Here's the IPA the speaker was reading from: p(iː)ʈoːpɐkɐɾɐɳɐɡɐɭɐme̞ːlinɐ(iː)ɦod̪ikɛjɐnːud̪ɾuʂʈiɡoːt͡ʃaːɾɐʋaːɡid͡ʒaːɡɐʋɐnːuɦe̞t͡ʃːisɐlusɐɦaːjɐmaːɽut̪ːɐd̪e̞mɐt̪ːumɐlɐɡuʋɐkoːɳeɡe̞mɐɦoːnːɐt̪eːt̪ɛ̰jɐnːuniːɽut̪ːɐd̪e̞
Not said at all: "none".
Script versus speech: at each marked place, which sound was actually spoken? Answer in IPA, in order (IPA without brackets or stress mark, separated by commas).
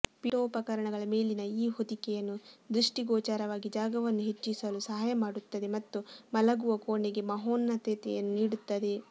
i, iː